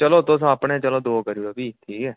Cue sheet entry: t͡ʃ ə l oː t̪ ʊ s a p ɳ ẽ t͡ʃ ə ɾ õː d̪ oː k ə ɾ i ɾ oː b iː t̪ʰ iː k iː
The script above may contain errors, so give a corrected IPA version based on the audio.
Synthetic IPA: t͡ʃ ə l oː t̪ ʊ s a p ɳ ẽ t͡ʃ ə l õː d̪ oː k ə ɾ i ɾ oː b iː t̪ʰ iː k ɛː